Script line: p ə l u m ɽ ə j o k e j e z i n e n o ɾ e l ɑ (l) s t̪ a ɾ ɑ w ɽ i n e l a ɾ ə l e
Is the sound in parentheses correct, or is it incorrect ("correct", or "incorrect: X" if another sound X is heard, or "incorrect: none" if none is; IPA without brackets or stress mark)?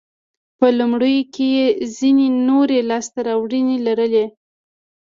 incorrect: none